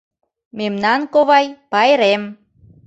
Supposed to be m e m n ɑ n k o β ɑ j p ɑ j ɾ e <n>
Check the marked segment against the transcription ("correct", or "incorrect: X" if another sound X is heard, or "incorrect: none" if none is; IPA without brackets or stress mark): incorrect: m